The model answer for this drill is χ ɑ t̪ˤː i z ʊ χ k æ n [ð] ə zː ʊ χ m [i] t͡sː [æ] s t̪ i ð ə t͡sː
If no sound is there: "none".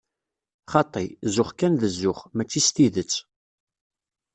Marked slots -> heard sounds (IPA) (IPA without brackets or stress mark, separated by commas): ð, æ, i